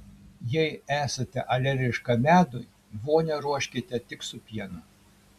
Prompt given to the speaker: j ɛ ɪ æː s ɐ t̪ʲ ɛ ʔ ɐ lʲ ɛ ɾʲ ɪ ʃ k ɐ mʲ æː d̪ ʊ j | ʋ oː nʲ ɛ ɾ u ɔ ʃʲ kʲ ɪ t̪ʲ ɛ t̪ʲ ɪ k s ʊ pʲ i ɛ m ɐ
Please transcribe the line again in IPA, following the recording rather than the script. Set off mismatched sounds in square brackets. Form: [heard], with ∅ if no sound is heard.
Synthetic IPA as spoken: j ɛ ɪ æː s ɐ t̪ʲ ɛ ʔ ɐ lʲ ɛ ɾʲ ɪ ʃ k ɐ mʲ æː d̪ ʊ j | ʋ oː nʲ ɛ ɾ u ɔ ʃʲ kʲ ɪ t̪ʲ ɛ t̪ʲ ɪ k s ʊ pʲ i ɛ [n] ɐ